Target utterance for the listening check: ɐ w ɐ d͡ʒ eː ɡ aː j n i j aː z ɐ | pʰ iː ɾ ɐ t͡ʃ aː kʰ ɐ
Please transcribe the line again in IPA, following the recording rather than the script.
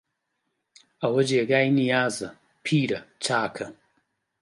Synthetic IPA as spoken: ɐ w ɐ d͡ʒ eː ɡ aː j n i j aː z ɐ | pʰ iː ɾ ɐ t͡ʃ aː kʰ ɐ